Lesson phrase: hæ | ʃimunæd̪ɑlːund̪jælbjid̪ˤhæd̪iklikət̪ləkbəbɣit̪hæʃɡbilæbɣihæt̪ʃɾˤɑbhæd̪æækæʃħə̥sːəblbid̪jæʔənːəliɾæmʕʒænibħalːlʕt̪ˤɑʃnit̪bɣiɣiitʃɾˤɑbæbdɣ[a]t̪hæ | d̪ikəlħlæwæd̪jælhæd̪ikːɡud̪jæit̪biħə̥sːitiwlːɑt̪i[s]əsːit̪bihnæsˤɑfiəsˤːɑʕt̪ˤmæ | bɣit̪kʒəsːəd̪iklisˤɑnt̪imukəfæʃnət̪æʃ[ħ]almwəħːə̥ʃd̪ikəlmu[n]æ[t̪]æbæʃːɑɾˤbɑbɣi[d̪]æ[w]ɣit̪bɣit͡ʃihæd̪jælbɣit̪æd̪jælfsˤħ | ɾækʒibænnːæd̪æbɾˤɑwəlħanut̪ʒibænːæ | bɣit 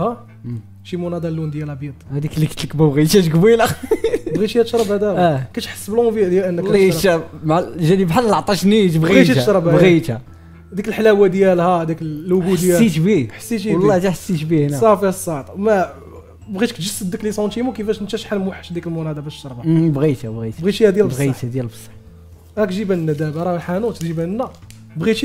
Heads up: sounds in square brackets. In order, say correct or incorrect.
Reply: incorrect, incorrect, correct, correct, incorrect, incorrect, incorrect

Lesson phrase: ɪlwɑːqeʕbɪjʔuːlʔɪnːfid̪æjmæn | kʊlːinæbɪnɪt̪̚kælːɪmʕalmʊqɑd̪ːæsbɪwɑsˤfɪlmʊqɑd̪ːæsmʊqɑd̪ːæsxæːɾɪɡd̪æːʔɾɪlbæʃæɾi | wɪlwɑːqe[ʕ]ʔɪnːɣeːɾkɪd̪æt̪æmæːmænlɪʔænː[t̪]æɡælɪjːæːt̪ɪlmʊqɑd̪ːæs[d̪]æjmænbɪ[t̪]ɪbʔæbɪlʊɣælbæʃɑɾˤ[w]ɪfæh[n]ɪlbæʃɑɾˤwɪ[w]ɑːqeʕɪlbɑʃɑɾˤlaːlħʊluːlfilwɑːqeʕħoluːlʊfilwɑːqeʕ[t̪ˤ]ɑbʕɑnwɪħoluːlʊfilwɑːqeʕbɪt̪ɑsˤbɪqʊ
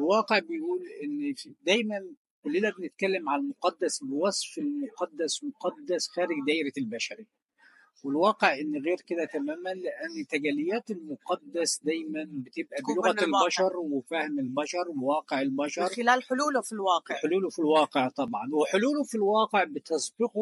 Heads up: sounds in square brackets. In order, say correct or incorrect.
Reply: correct, correct, correct, correct, correct, incorrect, correct, correct

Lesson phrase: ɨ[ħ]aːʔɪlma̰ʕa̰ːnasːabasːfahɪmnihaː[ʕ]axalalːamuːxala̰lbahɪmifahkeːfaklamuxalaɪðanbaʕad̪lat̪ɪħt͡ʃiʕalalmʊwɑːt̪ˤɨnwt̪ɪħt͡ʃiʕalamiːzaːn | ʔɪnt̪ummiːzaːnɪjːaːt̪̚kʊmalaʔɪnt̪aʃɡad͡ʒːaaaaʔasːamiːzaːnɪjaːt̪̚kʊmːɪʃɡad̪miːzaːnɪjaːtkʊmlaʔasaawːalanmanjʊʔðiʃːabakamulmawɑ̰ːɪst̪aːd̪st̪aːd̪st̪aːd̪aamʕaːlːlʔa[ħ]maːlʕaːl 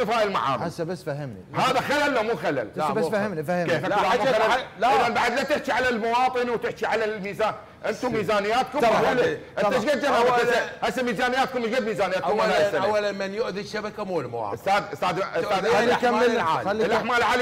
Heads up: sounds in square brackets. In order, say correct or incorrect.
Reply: incorrect, incorrect, correct

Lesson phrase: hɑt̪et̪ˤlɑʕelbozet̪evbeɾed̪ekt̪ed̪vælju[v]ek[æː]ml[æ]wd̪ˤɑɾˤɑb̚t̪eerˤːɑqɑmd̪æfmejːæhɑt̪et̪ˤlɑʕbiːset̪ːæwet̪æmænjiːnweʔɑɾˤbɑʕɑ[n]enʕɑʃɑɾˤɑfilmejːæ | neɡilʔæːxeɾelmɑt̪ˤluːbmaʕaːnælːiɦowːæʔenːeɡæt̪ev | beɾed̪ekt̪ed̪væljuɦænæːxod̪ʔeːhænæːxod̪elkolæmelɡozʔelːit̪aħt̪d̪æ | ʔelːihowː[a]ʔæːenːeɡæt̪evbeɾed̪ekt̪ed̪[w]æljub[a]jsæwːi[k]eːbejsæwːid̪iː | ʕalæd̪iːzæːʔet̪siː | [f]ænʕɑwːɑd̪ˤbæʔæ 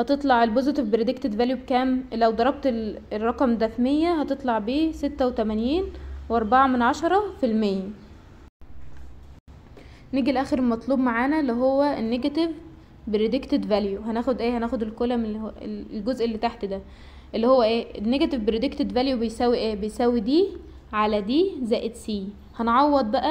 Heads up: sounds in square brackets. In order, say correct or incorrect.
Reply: incorrect, correct, correct, incorrect, incorrect, incorrect, incorrect, incorrect, incorrect

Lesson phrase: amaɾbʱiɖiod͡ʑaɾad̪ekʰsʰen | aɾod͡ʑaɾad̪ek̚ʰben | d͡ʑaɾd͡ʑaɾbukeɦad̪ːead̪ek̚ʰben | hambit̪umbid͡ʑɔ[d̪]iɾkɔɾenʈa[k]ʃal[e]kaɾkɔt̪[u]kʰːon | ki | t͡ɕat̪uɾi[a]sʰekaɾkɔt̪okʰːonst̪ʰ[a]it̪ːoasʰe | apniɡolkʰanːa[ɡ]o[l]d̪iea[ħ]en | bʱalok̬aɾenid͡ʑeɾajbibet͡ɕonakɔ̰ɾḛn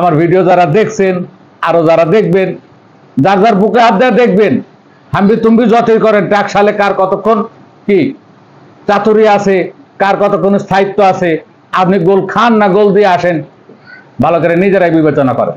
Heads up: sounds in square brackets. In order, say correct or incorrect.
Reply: incorrect, correct, correct, incorrect, correct, correct, correct, correct, incorrect

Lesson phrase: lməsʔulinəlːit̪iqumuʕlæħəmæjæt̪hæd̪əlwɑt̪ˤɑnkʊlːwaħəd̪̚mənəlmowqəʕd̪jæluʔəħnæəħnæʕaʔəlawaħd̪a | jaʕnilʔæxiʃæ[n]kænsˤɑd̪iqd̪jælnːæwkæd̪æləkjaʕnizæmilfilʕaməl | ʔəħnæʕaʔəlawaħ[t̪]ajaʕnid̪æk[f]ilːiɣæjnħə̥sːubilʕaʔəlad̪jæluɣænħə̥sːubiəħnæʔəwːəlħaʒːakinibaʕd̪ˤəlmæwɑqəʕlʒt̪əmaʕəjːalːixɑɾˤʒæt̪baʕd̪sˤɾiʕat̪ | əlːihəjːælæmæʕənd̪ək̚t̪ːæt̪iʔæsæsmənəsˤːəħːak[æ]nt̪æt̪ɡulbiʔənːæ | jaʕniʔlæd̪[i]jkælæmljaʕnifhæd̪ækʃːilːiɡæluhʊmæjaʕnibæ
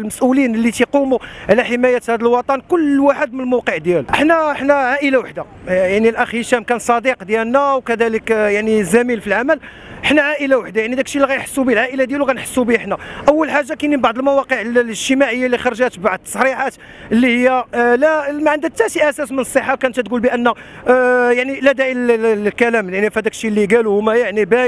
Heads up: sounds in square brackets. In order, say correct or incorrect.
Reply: incorrect, incorrect, incorrect, correct, incorrect

